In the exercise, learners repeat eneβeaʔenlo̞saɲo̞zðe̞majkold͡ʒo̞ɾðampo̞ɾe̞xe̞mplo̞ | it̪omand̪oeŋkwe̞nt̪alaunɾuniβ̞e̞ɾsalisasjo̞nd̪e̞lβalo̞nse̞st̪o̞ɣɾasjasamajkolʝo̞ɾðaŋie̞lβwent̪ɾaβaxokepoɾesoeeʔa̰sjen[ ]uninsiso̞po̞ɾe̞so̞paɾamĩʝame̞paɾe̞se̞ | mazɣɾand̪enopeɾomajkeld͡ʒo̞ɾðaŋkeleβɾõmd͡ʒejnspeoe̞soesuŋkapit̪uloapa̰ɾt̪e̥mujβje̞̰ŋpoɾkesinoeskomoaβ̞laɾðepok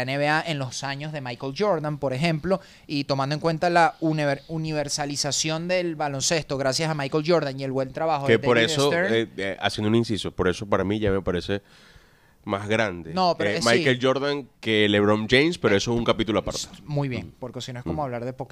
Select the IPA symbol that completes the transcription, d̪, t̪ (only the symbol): d̪